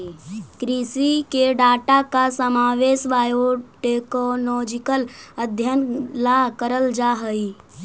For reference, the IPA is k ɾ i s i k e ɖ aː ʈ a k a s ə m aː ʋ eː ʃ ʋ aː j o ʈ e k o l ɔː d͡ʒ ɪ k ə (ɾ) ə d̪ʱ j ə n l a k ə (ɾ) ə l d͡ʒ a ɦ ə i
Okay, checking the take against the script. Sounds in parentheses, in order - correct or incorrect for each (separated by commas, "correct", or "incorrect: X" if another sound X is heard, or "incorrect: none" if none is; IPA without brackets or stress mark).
incorrect: l, correct